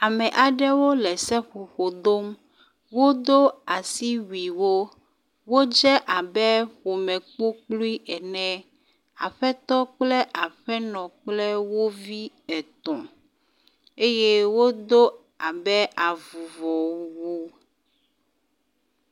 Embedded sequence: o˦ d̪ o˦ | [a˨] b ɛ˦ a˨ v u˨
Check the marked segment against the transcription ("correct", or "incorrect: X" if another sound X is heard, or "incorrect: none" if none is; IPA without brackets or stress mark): correct